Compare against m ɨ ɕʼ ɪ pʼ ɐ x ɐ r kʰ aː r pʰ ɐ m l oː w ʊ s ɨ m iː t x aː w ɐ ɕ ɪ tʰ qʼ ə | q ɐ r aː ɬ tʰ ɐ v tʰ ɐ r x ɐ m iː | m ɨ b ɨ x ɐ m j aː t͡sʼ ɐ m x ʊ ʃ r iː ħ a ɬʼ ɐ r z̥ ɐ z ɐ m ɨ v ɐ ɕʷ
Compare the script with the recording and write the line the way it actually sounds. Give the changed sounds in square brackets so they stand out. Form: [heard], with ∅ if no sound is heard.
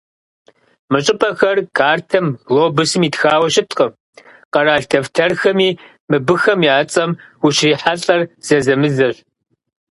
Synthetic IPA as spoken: m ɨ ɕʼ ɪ pʼ ɐ x ɐ r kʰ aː r [tʰ] ɐ m l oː [b] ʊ s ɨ m iː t x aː w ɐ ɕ ɪ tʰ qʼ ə | q ɐ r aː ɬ tʰ ɐ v tʰ ɐ r x ɐ m iː | m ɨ b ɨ x ɐ m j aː t͡sʼ ɐ m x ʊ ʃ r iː ħ a ɬʼ ɐ r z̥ ɐ z ɐ m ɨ [z] ɐ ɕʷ